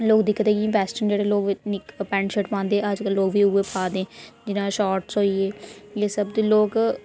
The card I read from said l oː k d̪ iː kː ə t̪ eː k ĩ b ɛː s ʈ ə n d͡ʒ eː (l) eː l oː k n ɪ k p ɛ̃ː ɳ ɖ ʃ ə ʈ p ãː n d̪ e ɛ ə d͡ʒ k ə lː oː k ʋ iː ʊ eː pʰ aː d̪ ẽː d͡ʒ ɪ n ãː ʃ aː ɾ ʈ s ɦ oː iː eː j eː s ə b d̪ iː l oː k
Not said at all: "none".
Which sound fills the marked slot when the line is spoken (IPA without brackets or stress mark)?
ɽ